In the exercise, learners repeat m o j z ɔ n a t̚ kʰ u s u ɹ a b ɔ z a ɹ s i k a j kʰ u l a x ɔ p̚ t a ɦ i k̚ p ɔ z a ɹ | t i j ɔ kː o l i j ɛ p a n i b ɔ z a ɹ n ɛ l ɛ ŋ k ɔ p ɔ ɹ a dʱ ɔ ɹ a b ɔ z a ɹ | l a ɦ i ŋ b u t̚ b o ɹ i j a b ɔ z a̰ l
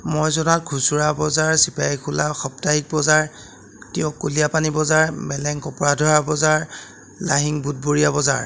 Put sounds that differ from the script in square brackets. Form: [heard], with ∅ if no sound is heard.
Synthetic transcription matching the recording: m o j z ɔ n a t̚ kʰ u s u ɹ a b ɔ z a ɹ s i [p] a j kʰ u l a x ɔ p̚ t a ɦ i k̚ [b] ɔ z a ɹ | t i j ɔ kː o l i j [a] p a n i b ɔ z a ɹ [m] ɛ l ɛ ŋ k ɔ p ɔ ɹ a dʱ ɔ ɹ a b ɔ z a ɹ | l a ɦ i ŋ b u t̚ b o ɹ i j a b ɔ z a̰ [ɹ]